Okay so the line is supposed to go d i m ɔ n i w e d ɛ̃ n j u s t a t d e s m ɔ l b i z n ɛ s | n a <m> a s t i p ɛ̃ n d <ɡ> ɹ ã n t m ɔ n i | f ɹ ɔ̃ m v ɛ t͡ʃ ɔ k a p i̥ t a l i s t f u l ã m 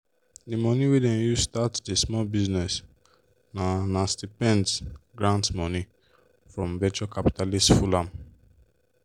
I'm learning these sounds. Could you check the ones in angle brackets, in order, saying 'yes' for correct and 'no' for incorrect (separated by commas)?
no, yes